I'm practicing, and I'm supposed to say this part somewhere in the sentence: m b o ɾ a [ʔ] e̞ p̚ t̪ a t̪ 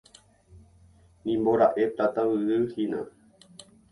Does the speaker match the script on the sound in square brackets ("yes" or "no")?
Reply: yes